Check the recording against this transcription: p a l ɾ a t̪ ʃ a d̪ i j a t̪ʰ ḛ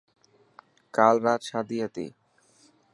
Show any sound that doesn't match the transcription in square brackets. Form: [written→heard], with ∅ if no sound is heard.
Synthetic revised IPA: [p→k] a l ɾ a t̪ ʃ a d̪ i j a [t̪ʰ→t̪] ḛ